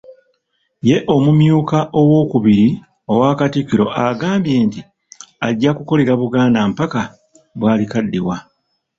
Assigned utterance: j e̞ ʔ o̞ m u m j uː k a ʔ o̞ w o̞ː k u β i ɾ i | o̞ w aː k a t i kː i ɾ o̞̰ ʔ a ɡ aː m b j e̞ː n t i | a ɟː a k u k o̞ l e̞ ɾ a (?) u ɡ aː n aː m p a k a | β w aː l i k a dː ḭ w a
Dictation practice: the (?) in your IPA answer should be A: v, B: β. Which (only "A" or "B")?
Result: B